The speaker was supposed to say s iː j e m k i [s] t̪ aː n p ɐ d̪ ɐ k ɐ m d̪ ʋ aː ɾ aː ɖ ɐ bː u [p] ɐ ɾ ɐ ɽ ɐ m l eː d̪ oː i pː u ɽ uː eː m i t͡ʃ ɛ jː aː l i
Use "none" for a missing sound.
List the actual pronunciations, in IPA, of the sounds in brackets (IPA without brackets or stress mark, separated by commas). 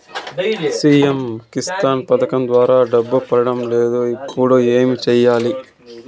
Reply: s, p